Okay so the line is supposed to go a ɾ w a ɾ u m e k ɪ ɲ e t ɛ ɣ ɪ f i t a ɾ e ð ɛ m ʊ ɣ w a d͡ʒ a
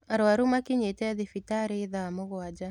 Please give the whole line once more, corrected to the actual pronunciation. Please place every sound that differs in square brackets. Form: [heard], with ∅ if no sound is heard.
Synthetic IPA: a ɾ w a ɾ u m [a] k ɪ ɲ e t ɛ [ð] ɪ f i t a ɾ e ð [a] m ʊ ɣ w a d͡ʒ a

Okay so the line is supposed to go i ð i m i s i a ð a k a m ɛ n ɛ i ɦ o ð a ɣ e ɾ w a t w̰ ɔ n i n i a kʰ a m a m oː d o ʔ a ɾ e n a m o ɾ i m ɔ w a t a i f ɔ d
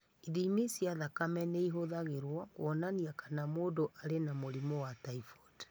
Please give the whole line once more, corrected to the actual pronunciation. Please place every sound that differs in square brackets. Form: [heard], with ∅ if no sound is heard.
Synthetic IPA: i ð i m i s i a ð a k a m ɛ n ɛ i ɦ o ð a ɣ e ɾ w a [k] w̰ ɔ n [a] n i a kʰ a [n] a m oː d o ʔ a ɾ e n a m o ɾ i m ɔ w a t a i f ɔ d

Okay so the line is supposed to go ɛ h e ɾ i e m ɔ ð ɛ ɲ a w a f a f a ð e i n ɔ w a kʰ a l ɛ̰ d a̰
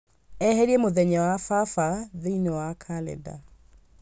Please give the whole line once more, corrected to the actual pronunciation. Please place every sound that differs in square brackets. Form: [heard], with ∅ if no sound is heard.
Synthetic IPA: ɛ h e ɾ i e m [o] ð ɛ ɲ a w a f a f a ð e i n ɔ w a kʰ a l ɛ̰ d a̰

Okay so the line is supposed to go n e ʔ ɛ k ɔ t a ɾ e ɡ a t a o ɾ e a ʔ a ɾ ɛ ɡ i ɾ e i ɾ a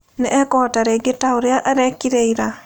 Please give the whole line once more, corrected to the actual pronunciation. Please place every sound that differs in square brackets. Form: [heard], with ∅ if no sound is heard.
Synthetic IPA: n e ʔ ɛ k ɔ t a ɾ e ɡ [e] t a o ɾ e a ʔ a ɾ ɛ [k] i ɾ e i ɾ a

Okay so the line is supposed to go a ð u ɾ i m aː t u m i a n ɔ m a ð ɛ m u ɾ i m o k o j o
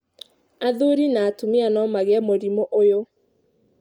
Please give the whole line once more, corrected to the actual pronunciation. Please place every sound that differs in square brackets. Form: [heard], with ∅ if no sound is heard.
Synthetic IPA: a ð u ɾ i [n] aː t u m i a n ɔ m a [ɣ] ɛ m [o] ɾ i m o [ʔ] o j o

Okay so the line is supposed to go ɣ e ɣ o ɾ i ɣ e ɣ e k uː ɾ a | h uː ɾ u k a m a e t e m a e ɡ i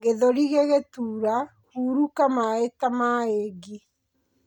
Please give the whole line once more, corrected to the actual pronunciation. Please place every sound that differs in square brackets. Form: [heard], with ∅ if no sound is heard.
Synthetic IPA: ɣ e [ð] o ɾ i ɣ e ɣ e [t] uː ɾ a | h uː ɾ u k a m a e t [a] m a e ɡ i

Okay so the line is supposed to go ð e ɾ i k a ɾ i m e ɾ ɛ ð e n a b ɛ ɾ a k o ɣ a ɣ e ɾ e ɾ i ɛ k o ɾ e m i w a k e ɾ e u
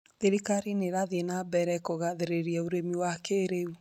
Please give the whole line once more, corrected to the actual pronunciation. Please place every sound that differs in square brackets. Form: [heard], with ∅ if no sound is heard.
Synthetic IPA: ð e ɾ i k a ɾ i [n] e ɾ [a] ð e n a b ɛ ɾ [ɛ] k o ɣ a [ð] e ɾ e ɾ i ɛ [∅] o ɾ e m i w a k e ɾ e u

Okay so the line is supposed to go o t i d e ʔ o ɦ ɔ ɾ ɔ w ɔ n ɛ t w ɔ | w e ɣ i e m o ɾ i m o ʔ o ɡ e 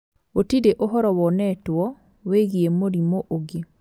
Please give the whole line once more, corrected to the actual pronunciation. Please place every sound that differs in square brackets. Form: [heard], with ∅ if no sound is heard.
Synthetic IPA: o t i d e ʔ o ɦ ɔ ɾ ɔ w ɔ n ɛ t w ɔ | w e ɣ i e m o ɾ i m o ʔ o ɡ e

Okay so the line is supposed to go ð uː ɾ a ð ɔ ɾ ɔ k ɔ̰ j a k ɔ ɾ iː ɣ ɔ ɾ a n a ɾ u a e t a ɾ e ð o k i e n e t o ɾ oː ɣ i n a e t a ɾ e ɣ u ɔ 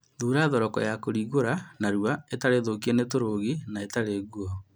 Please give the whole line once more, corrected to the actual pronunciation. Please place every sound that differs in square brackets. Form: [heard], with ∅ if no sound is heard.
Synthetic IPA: ð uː ɾ a ð ɔ ɾ ɔ k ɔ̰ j a k [o] ɾ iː ɣ [o] ɾ a n a ɾ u a e t a ɾ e ð o k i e n e t o ɾ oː ɣ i n a e t a ɾ e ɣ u ɔ

